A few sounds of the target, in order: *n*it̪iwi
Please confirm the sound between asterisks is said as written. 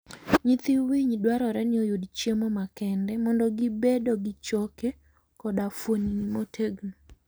no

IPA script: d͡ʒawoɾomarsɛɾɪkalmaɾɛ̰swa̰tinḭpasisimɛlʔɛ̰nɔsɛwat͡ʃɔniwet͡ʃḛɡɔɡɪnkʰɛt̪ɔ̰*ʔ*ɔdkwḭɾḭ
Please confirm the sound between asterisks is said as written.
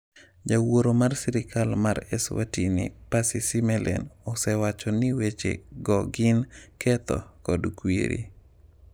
no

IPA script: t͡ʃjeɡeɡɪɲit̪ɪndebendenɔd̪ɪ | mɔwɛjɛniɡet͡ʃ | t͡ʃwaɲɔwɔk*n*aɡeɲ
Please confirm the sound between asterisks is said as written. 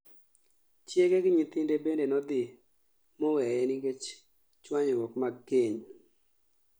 no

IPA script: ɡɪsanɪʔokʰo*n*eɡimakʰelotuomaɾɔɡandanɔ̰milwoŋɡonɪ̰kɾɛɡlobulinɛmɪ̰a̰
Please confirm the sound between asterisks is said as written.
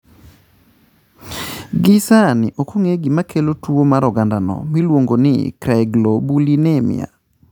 no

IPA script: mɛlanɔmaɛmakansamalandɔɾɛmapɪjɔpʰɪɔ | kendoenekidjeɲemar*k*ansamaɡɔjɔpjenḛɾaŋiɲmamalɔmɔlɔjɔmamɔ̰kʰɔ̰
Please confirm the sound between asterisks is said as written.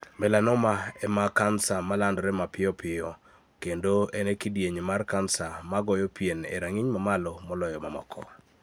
yes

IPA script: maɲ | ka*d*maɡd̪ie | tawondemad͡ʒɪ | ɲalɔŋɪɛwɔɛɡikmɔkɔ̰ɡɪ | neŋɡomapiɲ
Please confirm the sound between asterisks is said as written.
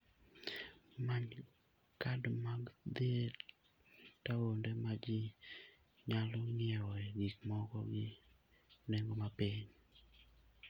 yes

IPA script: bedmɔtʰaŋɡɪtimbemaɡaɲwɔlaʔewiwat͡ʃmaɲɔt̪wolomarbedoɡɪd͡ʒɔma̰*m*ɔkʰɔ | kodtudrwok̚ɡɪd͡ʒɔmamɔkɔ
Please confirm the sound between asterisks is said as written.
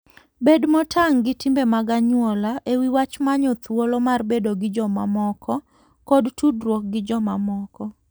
yes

